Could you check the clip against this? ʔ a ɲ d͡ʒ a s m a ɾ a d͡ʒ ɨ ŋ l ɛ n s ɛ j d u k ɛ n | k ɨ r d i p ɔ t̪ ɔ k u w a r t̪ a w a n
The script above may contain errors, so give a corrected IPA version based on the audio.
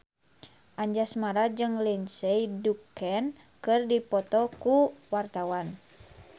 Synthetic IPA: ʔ a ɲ d͡ʒ a s m a ɾ a d͡ʒ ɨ ŋ l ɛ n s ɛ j d u k ɛ n | k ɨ r d i p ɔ t̪ ɔ k u w a r t̪ a w a n